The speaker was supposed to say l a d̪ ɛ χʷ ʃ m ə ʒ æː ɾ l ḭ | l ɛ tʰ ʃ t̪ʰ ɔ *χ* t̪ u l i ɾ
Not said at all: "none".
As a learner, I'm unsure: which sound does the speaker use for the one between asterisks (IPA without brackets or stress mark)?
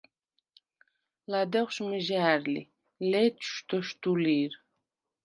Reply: ʃ